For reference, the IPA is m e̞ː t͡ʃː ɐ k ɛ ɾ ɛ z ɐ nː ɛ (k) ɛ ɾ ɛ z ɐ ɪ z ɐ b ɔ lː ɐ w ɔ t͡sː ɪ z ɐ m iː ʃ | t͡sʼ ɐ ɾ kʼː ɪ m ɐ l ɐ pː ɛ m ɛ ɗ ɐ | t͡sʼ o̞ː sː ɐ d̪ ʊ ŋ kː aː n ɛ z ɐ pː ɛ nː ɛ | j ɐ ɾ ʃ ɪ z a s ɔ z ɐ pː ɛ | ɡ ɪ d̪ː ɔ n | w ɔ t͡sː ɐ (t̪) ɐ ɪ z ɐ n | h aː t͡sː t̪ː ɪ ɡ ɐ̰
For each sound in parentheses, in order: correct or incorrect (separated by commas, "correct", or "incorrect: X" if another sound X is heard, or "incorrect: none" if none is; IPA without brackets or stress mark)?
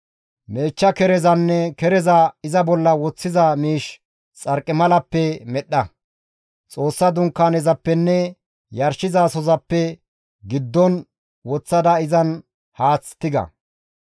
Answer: correct, incorrect: d̪